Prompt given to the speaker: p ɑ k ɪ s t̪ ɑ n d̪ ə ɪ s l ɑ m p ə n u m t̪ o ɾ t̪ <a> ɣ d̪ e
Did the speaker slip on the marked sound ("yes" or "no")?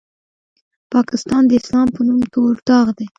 yes